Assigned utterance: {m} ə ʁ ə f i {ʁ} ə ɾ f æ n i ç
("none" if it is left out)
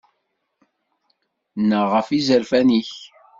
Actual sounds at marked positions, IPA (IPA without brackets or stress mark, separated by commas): n, z